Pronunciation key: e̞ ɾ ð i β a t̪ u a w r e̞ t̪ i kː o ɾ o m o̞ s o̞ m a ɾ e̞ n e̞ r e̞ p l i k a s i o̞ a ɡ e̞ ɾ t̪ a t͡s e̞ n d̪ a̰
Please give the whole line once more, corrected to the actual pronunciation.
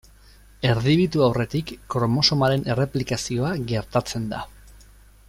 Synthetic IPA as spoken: e̞ ɾ ð i β i t̪ u a w r e̞ t̪ i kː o ɾ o m o̞ s o̞ m a ɾ e̞ n e̞ r e̞ p l i k a s i o̞ a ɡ e̞ ɾ t̪ a t͡s e̞ n d̪ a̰